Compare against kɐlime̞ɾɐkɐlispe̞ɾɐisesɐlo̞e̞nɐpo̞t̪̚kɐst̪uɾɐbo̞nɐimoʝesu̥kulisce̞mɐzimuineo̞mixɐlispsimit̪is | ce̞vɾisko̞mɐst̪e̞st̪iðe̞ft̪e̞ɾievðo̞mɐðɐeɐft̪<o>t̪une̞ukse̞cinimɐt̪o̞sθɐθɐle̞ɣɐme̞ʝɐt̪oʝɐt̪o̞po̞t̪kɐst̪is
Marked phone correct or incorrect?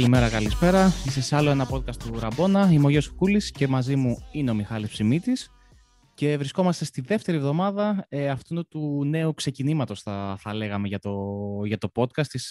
incorrect